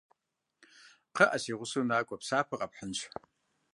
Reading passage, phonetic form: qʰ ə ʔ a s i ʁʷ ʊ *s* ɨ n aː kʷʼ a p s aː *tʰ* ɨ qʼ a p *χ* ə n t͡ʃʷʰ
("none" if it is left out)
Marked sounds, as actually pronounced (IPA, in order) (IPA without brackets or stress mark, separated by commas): s, pʰ, ħ